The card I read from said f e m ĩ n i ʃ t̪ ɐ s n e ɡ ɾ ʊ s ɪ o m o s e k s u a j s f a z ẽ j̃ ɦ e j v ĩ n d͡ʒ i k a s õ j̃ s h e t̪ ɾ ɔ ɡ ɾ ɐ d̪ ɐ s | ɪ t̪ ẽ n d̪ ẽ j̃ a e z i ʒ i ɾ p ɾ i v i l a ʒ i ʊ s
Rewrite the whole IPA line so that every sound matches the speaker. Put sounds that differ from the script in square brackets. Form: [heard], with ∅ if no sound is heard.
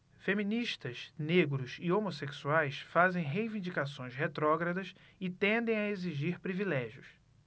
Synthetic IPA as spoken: f e m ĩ n i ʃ t̪ ɐ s n e ɡ ɾ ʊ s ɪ o m o s e k s u a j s f a z ẽ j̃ ɦ e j v ĩ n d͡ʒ i k a s õ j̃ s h e t̪ ɾ ɔ ɡ ɾ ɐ d̪ ɐ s | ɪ t̪ ẽ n d̪ ẽ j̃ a e z i ʒ i ɾ p ɾ i v i l [ɛ] ʒ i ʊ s